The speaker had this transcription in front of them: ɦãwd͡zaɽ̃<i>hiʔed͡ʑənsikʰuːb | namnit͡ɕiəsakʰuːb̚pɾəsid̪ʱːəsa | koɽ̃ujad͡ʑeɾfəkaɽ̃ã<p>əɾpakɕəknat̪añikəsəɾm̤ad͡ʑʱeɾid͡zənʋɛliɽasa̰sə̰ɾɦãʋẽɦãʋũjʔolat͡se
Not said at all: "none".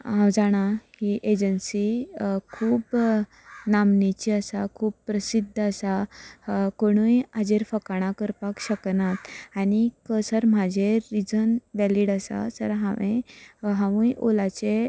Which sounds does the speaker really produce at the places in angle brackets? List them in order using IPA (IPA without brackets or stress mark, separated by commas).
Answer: a, k